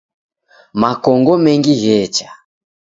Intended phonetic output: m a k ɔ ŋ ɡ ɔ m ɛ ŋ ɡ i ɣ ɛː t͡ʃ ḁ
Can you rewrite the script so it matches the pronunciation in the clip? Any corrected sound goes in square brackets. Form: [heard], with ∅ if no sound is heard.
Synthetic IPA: m a k ɔ ŋ ɡ ɔ m ɛ ŋ ɡ i ɣ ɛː t͡ʃ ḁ

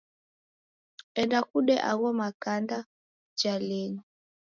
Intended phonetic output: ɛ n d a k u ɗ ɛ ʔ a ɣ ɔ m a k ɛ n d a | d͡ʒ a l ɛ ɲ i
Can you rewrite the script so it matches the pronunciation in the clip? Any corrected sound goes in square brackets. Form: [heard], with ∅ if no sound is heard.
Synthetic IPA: ɛ n d a k u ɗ ɛ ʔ a ɣ ɔ m a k [a] n d a | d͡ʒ a l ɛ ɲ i

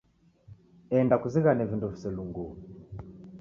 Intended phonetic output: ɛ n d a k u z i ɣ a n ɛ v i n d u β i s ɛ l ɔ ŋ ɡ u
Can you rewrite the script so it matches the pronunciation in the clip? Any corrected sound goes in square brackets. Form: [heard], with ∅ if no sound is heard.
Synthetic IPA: ɛ n d a k u z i ɣ a n ɛ v i n d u [v] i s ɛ l [u] ŋ ɡ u

